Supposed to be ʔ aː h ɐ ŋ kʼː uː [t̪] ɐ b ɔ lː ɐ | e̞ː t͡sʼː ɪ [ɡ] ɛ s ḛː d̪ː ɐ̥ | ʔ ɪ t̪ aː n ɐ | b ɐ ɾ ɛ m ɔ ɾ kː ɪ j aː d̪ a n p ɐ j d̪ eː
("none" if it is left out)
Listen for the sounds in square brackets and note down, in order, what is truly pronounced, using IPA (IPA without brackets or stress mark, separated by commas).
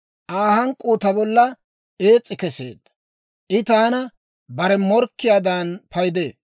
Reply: t̪, k